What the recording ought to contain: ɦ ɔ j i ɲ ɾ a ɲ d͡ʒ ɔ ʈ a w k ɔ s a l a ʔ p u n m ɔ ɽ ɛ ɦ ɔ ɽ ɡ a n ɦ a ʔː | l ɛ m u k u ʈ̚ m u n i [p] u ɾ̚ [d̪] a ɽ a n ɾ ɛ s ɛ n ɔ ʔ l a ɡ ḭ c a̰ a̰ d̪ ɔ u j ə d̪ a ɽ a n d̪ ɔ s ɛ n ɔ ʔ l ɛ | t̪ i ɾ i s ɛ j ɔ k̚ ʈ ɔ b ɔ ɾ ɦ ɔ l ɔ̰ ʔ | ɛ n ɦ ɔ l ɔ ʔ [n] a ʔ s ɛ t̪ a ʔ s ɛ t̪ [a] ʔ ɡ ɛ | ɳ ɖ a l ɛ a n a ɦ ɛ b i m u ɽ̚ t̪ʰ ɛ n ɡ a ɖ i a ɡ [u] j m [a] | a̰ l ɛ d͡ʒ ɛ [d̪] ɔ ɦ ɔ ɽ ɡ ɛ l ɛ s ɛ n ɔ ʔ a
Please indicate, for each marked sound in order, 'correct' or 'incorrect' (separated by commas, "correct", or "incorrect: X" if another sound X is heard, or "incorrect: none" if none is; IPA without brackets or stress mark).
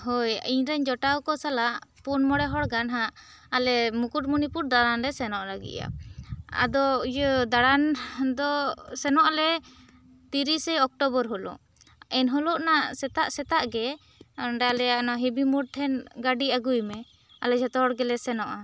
correct, correct, correct, correct, correct, incorrect: ɛ, incorrect: t̪